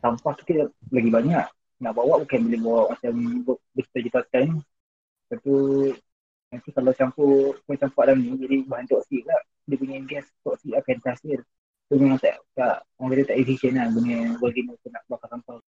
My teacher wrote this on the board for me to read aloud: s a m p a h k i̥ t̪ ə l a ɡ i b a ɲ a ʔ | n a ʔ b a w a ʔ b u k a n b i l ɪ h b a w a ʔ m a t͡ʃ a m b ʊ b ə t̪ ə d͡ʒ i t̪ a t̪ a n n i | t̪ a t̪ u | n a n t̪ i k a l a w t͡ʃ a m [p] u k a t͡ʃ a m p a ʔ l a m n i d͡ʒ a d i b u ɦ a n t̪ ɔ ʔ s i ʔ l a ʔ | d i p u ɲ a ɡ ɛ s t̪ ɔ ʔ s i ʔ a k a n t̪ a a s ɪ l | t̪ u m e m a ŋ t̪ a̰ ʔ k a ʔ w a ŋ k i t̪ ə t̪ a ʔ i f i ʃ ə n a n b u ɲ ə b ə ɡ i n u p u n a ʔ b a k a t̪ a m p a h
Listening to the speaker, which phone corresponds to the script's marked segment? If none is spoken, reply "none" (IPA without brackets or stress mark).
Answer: p